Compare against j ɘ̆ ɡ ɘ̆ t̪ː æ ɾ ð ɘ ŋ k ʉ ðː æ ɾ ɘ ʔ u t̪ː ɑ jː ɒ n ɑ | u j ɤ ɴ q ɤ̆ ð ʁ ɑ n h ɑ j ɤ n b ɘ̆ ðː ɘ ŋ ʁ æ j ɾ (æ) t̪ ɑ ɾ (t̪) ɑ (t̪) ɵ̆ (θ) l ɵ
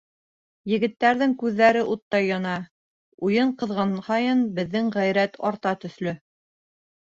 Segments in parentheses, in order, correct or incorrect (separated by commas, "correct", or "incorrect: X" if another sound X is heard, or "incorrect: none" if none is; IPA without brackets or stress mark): correct, correct, correct, correct